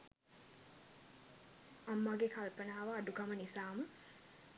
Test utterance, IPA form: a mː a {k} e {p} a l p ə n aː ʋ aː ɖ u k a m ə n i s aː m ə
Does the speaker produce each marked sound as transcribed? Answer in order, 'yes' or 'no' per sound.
no, no

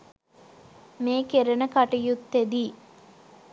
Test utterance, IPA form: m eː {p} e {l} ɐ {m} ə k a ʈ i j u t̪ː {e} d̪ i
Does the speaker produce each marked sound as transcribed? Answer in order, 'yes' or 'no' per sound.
no, no, no, yes

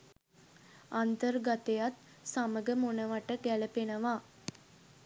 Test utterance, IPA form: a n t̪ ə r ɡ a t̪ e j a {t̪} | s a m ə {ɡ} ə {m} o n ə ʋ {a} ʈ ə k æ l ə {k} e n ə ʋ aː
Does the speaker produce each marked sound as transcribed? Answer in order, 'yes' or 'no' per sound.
yes, yes, yes, yes, no

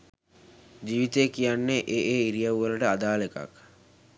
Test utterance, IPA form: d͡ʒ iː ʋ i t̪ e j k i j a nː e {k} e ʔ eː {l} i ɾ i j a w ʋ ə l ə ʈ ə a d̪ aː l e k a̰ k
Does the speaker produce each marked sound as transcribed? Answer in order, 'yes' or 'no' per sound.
no, no

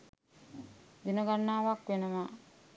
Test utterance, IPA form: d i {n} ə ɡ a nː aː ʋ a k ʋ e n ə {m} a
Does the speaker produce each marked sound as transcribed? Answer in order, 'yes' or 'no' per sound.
yes, yes

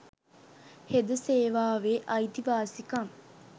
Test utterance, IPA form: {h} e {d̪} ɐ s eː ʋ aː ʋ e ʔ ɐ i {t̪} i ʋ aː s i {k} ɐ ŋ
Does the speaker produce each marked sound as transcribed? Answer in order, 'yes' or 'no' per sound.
yes, yes, yes, yes

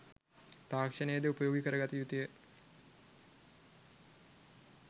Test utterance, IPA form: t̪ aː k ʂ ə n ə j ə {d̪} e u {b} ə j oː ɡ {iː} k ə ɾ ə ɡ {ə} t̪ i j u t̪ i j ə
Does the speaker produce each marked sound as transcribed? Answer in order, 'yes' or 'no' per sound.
yes, no, no, no

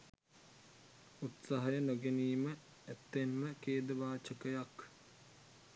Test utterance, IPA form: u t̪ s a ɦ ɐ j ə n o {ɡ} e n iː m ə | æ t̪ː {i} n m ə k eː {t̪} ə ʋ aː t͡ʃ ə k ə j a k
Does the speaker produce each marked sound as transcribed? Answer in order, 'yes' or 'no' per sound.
yes, no, no

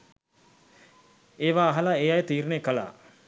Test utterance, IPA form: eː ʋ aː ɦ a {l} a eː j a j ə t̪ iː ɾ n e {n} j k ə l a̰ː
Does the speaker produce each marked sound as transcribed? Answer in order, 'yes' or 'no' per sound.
yes, no

